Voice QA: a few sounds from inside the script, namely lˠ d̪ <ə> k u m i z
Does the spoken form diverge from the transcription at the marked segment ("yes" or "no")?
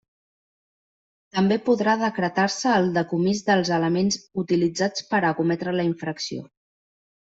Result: no